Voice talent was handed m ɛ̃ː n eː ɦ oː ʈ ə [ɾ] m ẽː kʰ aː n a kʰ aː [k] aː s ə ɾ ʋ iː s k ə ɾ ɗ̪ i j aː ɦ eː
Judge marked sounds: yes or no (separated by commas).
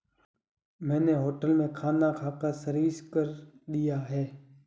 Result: no, yes